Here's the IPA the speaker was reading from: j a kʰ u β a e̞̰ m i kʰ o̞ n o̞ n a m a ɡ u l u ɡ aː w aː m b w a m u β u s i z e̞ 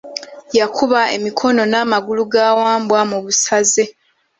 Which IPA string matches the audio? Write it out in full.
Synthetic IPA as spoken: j a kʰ u β a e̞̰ m i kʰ o̞ n o̞ n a m a ɡ u l u ɡ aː w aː m b w a m u β u s a z e̞